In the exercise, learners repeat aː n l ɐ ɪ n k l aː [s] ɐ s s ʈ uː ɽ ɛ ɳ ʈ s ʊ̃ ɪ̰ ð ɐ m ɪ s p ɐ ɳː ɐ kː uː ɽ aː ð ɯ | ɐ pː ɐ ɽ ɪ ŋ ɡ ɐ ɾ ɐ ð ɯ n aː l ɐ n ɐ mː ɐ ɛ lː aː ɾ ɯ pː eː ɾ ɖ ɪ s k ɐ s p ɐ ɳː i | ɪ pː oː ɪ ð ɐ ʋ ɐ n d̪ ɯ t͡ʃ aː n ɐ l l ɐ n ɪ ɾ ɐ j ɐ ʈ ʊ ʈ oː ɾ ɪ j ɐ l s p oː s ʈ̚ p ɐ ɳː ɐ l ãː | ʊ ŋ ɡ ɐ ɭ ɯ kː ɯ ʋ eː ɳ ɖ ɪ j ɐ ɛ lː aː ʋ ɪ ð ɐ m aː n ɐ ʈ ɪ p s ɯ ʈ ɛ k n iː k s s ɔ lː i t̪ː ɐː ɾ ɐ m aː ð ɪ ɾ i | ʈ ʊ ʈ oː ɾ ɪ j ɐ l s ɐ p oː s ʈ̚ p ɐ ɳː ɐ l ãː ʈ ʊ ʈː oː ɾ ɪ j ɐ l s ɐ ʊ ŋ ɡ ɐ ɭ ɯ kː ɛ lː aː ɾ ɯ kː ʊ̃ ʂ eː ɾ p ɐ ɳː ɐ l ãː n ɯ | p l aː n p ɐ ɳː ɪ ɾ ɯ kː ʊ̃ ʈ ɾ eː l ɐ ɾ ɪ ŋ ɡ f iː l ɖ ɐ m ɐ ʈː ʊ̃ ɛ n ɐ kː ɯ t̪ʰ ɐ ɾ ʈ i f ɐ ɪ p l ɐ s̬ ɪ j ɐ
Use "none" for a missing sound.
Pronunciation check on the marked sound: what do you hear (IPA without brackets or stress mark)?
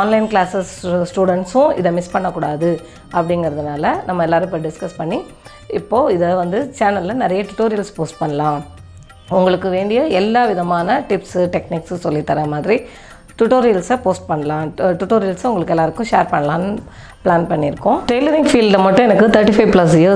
s